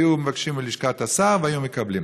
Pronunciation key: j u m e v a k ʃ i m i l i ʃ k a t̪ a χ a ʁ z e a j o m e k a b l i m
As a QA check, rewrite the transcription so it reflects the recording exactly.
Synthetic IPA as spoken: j u m e v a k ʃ i m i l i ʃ k a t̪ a s a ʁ v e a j u m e k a b l i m